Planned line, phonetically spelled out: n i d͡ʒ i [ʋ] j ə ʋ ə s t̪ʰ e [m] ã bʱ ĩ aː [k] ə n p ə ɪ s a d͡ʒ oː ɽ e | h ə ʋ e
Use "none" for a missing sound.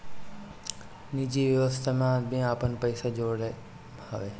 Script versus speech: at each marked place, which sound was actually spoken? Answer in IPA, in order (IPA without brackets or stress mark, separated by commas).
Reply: ʋ, m, p